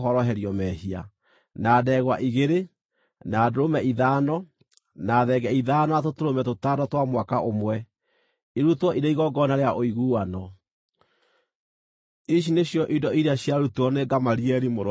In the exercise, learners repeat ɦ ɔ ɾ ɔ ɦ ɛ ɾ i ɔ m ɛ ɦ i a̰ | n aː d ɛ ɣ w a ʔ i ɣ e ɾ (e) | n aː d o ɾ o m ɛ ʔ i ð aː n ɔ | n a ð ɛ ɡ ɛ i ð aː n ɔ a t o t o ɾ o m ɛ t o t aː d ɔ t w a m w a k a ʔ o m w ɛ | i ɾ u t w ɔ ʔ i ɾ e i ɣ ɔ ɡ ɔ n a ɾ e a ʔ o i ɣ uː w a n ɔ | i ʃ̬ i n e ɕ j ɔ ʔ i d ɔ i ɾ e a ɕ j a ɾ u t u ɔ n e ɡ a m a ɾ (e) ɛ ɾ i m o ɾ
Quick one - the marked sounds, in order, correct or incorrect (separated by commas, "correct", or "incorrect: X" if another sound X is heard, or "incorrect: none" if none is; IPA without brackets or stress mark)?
correct, incorrect: i